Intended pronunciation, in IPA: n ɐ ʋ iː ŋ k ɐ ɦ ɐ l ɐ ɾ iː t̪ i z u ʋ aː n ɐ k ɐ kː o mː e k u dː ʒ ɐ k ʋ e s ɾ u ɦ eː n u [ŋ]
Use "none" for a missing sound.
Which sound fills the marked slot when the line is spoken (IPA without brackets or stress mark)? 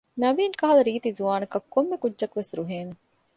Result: none